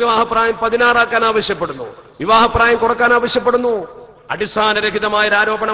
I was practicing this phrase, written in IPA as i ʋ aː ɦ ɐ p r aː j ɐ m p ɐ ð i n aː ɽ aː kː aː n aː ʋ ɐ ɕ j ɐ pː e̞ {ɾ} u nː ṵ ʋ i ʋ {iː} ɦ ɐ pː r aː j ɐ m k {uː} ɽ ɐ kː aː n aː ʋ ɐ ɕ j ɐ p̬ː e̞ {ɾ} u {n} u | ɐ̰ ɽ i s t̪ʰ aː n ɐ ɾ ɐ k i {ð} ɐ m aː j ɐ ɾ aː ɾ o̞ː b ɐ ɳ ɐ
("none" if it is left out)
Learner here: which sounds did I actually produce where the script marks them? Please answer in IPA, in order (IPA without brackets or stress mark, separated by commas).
ɽ, aː, u, ɽ, nː, ð